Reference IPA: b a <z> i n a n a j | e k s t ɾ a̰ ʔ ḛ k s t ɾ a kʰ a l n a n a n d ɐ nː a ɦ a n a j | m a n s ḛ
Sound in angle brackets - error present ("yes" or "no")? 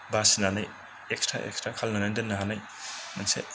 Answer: yes